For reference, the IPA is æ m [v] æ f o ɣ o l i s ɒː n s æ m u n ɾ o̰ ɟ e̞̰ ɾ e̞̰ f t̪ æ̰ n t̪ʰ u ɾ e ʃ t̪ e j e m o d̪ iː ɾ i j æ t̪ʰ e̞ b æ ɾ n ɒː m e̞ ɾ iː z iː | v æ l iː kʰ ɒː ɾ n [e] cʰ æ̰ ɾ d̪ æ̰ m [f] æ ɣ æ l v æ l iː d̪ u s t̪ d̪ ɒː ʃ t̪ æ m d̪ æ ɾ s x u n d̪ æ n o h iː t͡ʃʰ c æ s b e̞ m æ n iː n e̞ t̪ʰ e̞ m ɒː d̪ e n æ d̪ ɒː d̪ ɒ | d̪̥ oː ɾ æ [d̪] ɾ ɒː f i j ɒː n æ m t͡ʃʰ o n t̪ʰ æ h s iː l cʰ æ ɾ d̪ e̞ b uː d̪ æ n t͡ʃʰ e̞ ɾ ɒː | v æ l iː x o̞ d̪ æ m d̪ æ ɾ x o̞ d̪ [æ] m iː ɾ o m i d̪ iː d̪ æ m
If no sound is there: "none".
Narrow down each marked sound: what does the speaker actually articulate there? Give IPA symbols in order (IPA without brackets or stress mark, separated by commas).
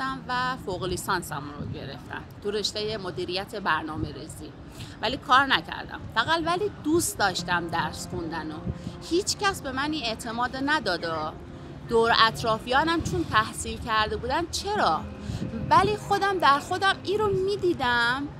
v, æ, f, t̪, æ